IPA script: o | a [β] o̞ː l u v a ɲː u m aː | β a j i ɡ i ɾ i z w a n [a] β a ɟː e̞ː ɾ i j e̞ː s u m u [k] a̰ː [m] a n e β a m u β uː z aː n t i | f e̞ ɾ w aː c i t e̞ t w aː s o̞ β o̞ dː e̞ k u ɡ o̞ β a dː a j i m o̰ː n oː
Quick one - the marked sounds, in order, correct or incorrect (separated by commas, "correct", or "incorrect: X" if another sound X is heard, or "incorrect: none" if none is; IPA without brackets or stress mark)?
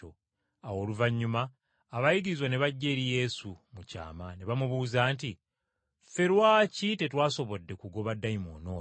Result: incorrect: w, incorrect: e, incorrect: c, correct